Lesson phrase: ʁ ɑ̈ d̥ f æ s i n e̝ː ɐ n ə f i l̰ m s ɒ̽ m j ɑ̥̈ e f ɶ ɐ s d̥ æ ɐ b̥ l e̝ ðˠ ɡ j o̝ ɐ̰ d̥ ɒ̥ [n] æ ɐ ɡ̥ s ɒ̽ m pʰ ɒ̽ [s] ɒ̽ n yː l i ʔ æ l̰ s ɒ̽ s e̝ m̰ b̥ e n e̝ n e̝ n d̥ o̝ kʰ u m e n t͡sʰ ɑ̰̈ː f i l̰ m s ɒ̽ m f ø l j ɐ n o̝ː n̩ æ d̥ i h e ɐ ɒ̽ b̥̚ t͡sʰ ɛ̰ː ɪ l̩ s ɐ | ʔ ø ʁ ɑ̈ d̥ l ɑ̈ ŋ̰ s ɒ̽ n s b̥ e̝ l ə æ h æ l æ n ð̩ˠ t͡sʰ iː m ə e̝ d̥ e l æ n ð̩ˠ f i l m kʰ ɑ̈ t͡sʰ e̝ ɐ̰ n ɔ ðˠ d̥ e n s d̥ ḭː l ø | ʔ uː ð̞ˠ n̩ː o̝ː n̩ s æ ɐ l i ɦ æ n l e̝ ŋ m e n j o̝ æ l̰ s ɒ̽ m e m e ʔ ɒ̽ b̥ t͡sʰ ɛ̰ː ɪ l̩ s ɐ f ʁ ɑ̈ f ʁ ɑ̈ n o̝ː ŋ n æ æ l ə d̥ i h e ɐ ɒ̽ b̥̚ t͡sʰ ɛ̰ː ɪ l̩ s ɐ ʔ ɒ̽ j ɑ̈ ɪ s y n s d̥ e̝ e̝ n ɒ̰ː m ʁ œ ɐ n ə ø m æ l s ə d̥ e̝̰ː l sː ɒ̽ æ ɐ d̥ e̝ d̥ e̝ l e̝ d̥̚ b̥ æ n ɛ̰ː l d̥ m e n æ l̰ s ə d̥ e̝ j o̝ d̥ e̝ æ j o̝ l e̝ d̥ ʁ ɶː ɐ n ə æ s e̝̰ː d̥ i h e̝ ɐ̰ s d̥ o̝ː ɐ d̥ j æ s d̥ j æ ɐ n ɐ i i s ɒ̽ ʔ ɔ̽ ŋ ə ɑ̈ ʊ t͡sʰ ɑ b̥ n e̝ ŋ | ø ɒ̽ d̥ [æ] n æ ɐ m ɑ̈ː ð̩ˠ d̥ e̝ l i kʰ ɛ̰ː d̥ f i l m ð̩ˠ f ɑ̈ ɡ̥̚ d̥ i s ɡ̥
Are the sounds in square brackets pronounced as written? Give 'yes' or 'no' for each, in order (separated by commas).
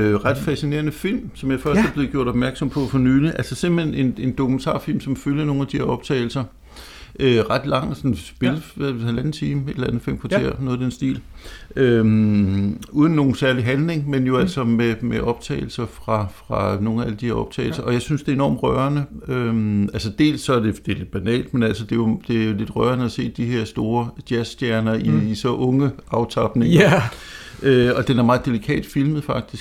no, no, no